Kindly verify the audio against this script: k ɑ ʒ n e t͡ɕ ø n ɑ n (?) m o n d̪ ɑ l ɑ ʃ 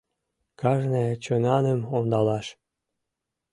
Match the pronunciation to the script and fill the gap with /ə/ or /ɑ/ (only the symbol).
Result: ə